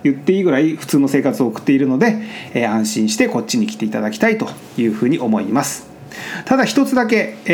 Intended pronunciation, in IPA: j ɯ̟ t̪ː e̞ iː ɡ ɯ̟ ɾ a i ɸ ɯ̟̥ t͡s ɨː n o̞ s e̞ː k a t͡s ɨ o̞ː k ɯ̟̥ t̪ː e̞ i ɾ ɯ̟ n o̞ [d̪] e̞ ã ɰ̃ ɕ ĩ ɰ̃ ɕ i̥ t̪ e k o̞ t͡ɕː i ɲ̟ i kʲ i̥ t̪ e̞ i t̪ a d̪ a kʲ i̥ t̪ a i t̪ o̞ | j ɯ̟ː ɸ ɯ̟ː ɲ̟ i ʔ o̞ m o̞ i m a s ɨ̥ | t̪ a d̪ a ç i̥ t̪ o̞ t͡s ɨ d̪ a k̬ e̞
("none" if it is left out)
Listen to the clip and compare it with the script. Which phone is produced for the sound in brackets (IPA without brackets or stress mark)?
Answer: d̪